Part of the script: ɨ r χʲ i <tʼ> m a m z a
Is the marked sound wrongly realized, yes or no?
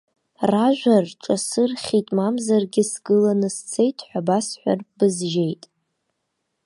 no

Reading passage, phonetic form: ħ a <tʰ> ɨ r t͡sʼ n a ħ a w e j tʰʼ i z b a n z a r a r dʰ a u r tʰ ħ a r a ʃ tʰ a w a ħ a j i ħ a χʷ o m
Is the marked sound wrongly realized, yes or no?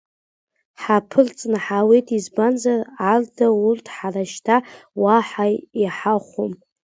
yes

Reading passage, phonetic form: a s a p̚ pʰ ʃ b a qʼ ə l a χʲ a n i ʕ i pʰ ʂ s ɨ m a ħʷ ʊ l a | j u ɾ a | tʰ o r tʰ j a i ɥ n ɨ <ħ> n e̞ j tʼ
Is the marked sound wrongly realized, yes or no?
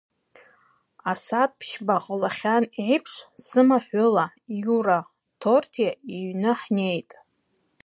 no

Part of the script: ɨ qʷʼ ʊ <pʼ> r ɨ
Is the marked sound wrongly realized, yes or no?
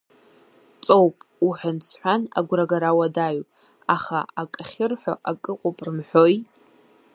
no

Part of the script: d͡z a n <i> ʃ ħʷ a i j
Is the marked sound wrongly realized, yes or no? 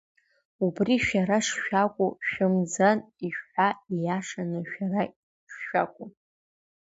no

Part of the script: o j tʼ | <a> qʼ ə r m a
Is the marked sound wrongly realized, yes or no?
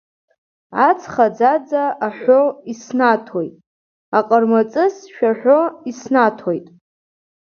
no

